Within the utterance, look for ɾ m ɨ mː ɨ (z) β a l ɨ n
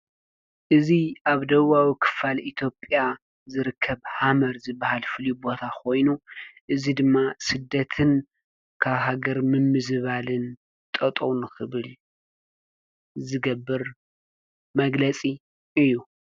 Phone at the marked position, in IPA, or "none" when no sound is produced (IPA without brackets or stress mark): z